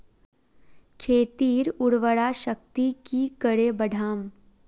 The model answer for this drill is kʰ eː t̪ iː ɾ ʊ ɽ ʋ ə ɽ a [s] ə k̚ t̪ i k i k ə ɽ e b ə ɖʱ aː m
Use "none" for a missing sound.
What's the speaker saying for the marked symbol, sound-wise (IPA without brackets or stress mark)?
ʃ